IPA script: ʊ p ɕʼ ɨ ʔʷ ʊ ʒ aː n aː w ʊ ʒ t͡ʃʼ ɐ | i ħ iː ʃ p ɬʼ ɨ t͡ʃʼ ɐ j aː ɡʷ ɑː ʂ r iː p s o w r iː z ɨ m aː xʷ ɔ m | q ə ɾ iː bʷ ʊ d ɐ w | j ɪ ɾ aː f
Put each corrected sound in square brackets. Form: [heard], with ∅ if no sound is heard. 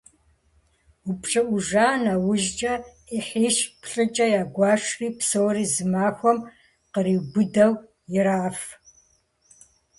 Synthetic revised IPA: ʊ p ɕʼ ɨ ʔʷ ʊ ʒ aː n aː w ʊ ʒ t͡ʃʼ ɐ | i ħ iː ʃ p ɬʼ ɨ t͡ʃʼ ɐ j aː ɡʷ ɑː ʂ r iː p s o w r iː z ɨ m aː xʷ ɔ m | q ə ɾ iː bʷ ʊ d ɐ w | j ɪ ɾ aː f